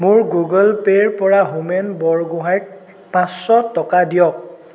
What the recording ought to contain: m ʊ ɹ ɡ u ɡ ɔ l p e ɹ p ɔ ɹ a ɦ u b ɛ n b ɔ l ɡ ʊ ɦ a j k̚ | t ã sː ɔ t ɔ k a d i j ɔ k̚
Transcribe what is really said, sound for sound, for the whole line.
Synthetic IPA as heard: m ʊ ɹ ɡ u ɡ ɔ l p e ɹ p ɔ ɹ a ɦ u m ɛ n b ɔ ɹ ɡ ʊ ɦ a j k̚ | p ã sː ɔ t ɔ k a d i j ɔ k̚